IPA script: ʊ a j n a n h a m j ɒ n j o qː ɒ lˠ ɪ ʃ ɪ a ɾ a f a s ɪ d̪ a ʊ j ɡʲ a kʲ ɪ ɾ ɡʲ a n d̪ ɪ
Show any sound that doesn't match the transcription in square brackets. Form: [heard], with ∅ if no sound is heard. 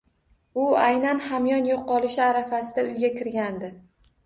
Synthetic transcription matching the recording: ʊ a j n a n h a m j ɒ n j o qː ɒ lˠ ɪ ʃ ɪ a ɾ a f a s ɪ d̪ a ʊ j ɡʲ a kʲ ɪ ɾ ɡʲ a n d̪ ɪ